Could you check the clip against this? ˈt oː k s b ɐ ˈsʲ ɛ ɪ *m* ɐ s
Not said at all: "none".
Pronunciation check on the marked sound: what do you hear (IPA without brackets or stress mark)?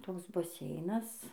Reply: n